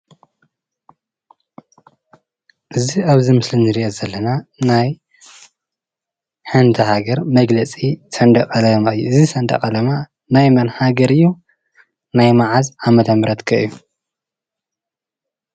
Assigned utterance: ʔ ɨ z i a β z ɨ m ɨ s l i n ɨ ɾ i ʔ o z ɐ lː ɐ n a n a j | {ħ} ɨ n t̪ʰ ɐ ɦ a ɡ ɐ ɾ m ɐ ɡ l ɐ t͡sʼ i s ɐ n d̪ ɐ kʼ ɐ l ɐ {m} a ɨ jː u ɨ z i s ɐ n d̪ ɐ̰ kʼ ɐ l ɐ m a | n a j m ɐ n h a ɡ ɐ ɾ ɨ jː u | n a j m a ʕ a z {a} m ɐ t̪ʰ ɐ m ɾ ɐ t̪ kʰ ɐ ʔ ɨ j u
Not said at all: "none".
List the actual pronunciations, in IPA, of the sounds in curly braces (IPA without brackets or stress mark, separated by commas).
ħ, m, a